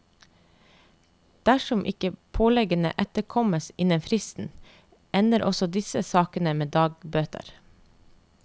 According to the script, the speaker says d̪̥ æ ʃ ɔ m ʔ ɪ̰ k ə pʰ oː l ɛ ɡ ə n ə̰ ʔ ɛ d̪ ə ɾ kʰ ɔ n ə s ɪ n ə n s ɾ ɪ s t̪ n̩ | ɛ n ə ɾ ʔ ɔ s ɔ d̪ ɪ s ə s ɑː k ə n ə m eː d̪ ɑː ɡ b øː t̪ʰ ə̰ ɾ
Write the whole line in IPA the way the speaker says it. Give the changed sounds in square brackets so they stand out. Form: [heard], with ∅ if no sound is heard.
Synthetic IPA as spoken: d̪̥ æ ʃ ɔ m ʔ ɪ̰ k ə pʰ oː l ɛ ɡ ə n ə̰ ʔ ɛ [t̪] ə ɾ kʰ ɔ [m] ə s ɪ n ə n [f] ɾ ɪ s t̪ n̩ | ɛ n ə ɾ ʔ ɔ s ɔ d̪ ɪ s ə s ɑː k ə n ə m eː d̪ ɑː ɡ b øː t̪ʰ ə̰ ɾ

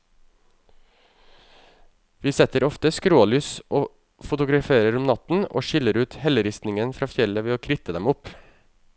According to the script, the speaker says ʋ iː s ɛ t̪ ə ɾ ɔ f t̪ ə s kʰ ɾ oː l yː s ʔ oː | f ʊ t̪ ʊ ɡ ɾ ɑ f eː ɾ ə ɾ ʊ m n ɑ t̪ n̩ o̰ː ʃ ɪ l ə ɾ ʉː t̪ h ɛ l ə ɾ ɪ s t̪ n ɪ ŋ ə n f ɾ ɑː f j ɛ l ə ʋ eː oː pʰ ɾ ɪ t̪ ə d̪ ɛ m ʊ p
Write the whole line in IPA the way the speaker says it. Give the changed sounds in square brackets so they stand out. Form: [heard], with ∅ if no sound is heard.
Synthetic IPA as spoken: ʋ iː s ɛ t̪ ə ɾ ɔ f t̪ ə s [k] ɾ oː l yː s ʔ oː | f ʊ t̪ ʊ ɡ ɾ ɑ f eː ɾ ə ɾ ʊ m n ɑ t̪ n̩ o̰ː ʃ ɪ l ə ɾ ʉː t̪ h ɛ l ə ɾ ɪ s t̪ n ɪ ŋ ə n f ɾ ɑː f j ɛ l ə ʋ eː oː [kʰ] ɾ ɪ t̪ ə d̪ ɛ m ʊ p

